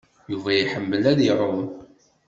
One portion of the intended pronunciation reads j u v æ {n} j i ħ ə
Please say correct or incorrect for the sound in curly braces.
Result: incorrect